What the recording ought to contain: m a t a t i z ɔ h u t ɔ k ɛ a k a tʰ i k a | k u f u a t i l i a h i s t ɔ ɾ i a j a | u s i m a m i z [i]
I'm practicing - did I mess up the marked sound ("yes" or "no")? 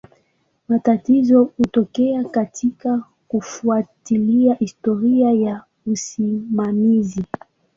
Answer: no